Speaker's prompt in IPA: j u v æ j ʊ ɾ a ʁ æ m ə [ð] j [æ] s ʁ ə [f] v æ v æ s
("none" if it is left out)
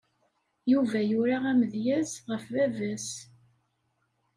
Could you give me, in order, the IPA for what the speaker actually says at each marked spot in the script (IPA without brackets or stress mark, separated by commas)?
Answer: ð, æ, f